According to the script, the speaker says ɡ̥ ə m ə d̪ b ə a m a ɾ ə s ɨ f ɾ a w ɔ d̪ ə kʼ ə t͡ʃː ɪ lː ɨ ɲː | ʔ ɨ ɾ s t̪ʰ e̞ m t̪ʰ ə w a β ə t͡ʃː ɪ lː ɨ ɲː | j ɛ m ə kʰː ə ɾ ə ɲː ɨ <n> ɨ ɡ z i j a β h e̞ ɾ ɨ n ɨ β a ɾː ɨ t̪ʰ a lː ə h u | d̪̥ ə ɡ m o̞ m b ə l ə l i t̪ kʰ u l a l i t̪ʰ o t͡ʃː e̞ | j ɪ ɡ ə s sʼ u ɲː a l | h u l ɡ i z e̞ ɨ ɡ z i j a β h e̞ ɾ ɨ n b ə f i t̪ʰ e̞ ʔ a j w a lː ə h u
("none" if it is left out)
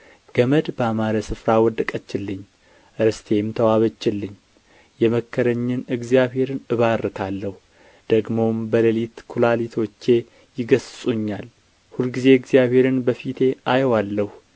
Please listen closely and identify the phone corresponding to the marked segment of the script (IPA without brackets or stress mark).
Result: n